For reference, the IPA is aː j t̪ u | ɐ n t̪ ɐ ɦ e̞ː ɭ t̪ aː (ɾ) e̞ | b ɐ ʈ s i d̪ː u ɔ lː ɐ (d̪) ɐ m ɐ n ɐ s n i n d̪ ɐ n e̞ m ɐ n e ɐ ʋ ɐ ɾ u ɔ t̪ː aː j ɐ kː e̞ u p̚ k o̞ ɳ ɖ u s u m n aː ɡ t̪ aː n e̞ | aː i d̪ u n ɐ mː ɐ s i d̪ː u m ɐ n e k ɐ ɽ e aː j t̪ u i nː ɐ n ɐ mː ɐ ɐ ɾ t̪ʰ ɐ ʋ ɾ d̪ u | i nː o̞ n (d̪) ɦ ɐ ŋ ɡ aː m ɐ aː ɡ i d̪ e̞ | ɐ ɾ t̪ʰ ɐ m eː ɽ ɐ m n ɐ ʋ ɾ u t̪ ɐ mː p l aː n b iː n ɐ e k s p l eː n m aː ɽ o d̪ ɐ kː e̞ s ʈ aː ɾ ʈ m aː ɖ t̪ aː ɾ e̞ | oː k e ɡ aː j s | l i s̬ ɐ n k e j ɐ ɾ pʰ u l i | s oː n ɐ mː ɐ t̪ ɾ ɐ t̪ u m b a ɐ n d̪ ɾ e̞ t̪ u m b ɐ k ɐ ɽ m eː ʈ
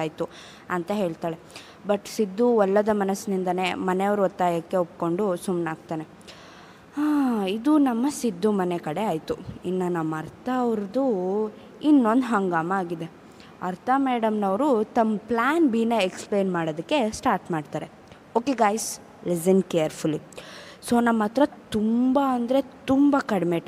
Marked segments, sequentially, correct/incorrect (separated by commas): incorrect, correct, correct